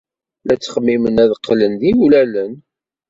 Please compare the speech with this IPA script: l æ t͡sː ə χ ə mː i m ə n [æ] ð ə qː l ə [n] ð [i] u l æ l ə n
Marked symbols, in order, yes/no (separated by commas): yes, yes, yes